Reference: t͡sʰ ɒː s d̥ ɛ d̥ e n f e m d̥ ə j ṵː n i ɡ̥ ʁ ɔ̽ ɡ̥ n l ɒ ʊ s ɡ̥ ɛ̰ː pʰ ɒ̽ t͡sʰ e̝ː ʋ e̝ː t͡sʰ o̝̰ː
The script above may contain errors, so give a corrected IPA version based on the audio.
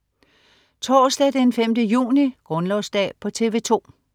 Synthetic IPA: t͡sʰ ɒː s d̥ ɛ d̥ e n f e m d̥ ə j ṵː n i ɡ̥ ʁ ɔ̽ n l ɒ ʊ s d̥ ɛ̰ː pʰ ɒ̽ t͡sʰ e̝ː ʋ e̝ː t͡sʰ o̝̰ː